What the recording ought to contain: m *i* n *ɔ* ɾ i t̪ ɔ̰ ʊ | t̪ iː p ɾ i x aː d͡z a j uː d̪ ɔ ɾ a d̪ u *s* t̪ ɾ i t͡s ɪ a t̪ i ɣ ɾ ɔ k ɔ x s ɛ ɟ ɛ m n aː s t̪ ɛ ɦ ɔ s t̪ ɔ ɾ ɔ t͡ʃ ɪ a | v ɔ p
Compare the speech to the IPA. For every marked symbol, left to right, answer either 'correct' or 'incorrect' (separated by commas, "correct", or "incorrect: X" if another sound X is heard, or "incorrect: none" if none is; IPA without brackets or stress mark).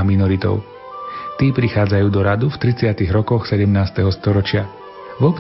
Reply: correct, correct, incorrect: f